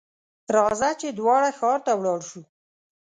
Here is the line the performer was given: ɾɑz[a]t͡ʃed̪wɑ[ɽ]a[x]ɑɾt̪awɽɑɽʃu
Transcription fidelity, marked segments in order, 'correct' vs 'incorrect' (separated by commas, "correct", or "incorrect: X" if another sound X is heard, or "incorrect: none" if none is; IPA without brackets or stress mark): correct, correct, correct